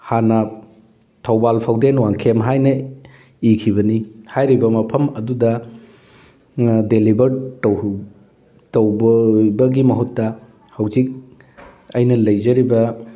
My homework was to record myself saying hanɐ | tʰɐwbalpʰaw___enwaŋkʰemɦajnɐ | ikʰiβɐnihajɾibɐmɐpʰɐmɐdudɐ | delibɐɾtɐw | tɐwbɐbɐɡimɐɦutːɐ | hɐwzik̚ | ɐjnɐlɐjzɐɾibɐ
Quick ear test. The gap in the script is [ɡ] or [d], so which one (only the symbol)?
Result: d